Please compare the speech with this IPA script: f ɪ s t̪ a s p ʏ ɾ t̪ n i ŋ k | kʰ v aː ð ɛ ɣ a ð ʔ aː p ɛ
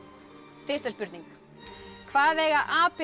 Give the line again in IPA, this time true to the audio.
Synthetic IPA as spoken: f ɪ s t̪ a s p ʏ ɾ t̪ n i ŋ k | kʰ v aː ð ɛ ɣ a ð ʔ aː p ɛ